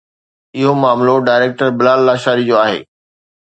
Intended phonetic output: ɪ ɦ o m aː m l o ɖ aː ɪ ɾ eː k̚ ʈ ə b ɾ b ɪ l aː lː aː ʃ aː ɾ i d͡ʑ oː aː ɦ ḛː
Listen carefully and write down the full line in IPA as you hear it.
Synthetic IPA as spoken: ɪ ɦ o m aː m l o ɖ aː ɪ ɾ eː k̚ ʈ ə ɾ b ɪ l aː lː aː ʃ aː ɾ i d͡ʑ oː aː ɦ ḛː